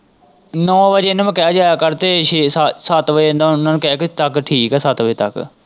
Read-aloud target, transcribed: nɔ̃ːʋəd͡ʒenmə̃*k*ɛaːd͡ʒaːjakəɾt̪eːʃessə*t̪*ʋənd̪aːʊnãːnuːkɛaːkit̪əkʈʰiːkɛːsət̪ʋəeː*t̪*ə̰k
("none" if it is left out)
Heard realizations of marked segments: k, t̪, t̪

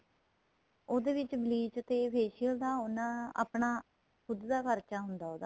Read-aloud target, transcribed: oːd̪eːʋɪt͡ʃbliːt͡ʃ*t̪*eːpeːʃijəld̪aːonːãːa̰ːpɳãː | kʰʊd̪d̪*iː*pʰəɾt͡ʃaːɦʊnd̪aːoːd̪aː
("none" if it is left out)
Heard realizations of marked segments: t̪, aː

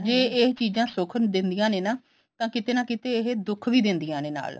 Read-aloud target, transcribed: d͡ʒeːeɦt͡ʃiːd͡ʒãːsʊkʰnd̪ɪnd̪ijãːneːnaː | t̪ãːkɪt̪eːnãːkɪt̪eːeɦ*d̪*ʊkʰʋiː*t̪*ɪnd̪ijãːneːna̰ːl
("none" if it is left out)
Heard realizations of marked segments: d̪, d̪

